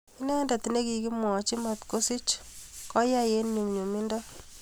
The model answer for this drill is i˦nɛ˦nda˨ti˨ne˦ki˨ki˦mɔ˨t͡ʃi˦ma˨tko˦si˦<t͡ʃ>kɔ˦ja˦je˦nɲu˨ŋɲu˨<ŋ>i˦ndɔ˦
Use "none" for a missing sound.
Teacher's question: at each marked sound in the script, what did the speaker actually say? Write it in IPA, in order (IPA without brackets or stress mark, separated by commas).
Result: t͡ʃ, m